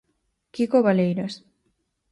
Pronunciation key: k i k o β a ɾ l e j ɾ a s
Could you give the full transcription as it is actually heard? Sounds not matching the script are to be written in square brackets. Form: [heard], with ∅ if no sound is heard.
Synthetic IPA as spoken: k i k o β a [∅] l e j ɾ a s